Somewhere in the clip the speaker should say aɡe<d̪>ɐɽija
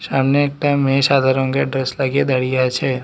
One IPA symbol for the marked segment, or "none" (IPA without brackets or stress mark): d̪